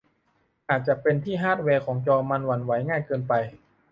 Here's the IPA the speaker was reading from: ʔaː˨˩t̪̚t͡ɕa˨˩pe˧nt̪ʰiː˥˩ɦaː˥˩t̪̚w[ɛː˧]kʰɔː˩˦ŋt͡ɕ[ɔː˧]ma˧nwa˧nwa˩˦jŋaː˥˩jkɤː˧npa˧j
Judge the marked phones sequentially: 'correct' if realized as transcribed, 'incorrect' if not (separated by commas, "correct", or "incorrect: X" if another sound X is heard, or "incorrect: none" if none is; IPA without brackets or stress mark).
correct, correct